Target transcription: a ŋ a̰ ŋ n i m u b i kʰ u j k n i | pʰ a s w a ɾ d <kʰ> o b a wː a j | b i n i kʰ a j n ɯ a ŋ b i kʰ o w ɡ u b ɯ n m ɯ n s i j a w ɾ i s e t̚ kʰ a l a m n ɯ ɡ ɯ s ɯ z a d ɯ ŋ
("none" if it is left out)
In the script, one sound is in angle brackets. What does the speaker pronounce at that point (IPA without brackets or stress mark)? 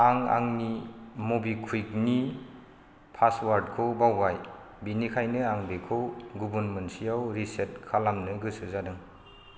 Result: kʰ